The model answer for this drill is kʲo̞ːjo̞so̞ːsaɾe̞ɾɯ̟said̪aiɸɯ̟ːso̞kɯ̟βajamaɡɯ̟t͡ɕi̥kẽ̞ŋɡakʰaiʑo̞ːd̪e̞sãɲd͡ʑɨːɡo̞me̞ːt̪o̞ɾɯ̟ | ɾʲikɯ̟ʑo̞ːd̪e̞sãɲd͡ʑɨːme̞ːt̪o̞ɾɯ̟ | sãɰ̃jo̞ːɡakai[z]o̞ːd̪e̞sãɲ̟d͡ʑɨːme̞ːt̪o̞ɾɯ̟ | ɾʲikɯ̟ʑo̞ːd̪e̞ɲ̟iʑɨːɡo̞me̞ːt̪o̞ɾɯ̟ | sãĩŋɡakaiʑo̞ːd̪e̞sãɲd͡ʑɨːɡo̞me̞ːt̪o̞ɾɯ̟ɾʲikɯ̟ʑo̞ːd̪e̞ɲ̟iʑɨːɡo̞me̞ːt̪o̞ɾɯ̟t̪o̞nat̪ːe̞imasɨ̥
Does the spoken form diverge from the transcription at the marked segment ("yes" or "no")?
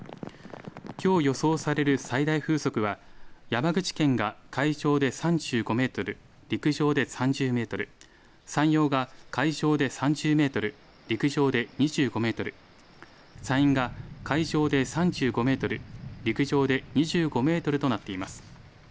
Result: yes